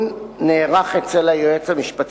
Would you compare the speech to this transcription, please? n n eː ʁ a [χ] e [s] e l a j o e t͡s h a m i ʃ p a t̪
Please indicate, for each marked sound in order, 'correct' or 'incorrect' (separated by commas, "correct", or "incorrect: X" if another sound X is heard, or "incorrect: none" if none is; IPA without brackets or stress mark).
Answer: correct, incorrect: t͡s